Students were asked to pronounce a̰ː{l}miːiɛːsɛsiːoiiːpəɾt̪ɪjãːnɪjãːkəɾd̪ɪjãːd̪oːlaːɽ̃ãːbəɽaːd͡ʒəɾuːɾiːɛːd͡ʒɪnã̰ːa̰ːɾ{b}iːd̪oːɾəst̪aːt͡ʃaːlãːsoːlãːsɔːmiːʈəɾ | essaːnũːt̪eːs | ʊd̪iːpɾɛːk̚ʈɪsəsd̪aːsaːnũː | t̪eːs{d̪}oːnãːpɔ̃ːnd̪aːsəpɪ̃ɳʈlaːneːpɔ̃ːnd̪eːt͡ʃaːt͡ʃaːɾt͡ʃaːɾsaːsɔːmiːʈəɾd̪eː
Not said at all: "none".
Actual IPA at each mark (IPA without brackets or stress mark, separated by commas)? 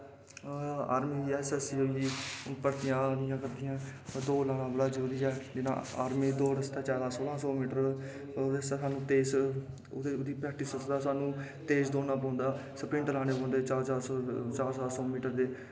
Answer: ɾ, m, d̪